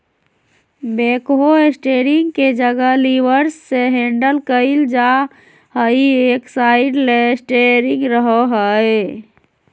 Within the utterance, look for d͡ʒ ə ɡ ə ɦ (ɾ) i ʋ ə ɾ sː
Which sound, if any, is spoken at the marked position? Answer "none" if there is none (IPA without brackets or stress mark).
l